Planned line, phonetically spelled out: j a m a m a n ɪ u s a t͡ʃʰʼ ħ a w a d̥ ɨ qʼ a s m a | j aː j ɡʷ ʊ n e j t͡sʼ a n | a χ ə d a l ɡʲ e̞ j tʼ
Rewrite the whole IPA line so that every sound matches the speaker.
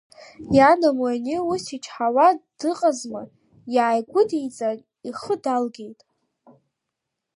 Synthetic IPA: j a n a m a n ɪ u s i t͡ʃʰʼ ħ a w a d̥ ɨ qʼ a z m a | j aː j ɡʷ ʊ d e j t͡sʼ a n | i χ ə d a l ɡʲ e̞ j tʼ